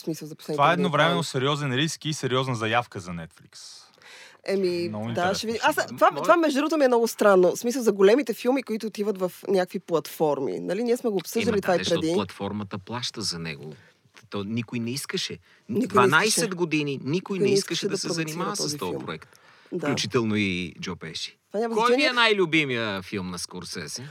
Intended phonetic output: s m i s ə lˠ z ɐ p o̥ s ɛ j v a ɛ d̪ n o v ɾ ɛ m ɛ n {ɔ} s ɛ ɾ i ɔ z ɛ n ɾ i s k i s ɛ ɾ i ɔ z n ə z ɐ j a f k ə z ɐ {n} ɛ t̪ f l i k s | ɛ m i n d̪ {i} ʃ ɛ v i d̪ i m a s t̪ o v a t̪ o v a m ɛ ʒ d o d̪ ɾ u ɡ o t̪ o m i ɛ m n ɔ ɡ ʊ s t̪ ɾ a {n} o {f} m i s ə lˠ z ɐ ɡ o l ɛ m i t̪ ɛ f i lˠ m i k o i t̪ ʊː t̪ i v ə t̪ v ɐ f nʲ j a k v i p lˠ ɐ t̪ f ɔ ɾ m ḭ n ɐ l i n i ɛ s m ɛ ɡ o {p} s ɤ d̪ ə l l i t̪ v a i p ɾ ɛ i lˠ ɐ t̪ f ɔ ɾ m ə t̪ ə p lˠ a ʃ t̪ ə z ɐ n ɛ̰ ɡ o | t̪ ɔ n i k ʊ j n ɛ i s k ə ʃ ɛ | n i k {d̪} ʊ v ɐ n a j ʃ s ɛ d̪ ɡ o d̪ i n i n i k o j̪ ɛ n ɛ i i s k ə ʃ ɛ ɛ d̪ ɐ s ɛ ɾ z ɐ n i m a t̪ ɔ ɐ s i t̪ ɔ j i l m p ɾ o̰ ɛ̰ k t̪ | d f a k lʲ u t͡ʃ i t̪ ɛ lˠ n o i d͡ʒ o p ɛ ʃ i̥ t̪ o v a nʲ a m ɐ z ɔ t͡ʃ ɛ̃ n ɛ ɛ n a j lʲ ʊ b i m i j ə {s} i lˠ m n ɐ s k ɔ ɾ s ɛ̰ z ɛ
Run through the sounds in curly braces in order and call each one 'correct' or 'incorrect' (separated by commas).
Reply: incorrect, correct, incorrect, incorrect, incorrect, correct, correct, incorrect